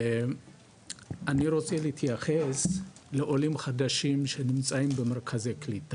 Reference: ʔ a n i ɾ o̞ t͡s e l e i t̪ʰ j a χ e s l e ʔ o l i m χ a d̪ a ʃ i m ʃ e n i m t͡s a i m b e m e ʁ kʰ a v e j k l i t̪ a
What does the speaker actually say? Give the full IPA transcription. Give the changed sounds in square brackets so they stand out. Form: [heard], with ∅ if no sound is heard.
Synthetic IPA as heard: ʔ a n i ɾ o̞ t͡s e l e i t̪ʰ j a χ e s l e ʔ o l i m χ a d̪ a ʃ i m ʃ e n i m t͡s a i m b e m e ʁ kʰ a [z] e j k l i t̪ a